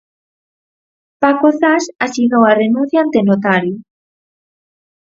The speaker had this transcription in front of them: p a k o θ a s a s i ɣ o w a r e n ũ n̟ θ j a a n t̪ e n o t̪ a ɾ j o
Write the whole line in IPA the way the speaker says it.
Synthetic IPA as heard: p a k o θ a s a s i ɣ o w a r e n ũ n̟ θ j a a n t̪ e n o t̪ a ɾ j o

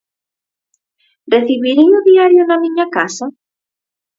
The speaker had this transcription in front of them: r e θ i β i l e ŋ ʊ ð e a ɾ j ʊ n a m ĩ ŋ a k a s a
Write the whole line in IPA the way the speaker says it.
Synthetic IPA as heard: r e θ i β i ɾ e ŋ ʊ ð i a ɾ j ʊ n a m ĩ ɲ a k a s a

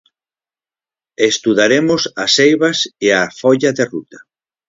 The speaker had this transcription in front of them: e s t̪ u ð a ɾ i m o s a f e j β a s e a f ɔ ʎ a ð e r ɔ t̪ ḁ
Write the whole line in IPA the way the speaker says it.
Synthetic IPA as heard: e s t̪ u ð a ɾ e m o s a s e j β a s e a f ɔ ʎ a ð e r u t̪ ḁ

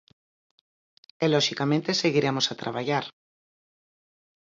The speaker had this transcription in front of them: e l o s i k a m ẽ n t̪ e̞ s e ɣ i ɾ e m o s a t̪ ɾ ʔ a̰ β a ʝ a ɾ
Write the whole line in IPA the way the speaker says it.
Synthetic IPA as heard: e l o ʃ i k a m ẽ n t̪ e̞ s e ɣ i ɾ e m o s a t̪ ɾ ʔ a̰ β a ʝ a ɾ

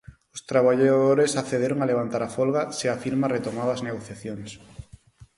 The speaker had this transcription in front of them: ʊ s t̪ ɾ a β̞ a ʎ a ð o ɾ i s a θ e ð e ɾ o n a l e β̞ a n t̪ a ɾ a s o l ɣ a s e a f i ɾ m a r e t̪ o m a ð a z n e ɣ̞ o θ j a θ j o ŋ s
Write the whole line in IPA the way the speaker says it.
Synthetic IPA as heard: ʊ s t̪ ɾ a β̞ a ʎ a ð o ɾ e s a θ e ð e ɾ o ŋ a l e β̞ a n t̪ a ɾ a f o l ɣ a s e a f i ɾ m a r e t̪ o m a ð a z n e ɣ̞ o θ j a θ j o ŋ s

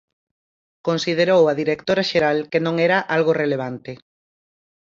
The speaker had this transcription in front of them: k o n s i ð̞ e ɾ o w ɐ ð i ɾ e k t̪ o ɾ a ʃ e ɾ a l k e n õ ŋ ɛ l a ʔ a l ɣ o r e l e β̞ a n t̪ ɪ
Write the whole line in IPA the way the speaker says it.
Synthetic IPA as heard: k o n s i ð̞ e ɾ o w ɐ ð i ɾ e k t̪ o ɾ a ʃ e ɾ a l k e n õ ŋ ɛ ɾ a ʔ a l ɣ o r e l e β̞ a n t̪ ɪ

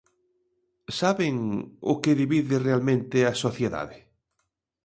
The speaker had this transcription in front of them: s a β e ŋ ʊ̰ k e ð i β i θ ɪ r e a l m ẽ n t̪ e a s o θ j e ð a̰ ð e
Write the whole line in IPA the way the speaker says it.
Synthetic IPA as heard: s a β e ŋ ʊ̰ k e ð i β i ð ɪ r e a l m ẽ n t̪ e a s o θ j e ð a̰ ð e

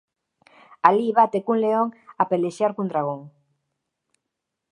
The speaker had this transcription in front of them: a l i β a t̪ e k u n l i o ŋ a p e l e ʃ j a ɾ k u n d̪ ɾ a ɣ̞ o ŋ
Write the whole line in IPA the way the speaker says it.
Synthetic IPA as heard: a l i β a t̪ e k u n l e o ŋ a p e l e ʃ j a ɾ k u n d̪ ɾ a ɣ̞ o ŋ

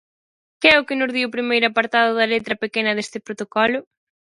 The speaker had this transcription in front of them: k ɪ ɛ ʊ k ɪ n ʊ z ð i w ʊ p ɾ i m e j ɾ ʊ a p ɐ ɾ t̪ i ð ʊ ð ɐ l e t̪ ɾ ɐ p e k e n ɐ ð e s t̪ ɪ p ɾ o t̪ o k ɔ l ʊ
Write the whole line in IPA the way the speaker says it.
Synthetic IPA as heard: k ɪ ɛ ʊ k ɪ n ʊ z ð i w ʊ p ɾ i m e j ɾ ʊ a p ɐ ɾ t̪ a ð ʊ ð ɐ l e t̪ ɾ ɐ p e k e n ɐ ð e s t̪ ɪ p ɾ o t̪ o k ɔ l ʊ

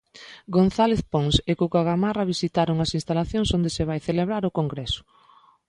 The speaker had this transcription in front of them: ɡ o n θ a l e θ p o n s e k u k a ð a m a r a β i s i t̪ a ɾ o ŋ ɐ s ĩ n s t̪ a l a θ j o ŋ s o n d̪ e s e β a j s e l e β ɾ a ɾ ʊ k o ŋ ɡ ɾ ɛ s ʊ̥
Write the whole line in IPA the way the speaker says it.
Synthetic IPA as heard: ɡ o n θ a l e θ p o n s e k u k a ɣ a m a r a β i s i t̪ a ɾ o ŋ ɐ s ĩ n s t̪ a l a θ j o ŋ s o n d̪ e s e β a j θ e l e β ɾ a ɾ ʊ k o ŋ ɡ ɾ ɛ s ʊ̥

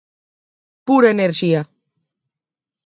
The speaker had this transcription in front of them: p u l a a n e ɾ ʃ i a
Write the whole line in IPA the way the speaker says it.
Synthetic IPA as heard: p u ɾ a e n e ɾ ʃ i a

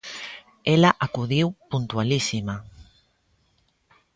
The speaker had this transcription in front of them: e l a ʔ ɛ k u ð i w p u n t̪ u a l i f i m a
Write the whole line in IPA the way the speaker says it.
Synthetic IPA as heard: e l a ʔ a k u ð i w p u n t̪ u a l i s i m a

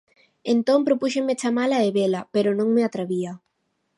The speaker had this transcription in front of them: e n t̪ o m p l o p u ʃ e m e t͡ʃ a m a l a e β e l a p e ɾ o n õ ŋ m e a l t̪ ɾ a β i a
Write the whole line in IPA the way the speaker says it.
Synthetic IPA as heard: e n t̪ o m p ɾ o p u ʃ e m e t͡ʃ a m a l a e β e l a p e ɾ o n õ ŋ m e a t̪ ɾ a β i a

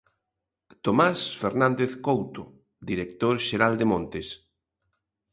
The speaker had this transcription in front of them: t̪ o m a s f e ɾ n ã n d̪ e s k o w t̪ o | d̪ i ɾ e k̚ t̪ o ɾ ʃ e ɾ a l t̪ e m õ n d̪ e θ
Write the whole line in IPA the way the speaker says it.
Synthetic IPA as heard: t̪ o m a s f e ɾ n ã n d̪ e θ k o w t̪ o | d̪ i ɾ e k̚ t̪ o ɾ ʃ e ɾ a l d̪ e m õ n t̪ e s

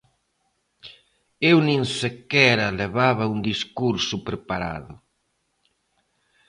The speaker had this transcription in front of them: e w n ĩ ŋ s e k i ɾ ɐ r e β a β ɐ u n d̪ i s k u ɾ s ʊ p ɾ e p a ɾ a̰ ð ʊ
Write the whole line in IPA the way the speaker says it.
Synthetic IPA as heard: e w n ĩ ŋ s e k ɛ ɾ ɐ l e β a β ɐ u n d̪ i s k u ɾ s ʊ p ɾ e p a ɾ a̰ ð ʊ

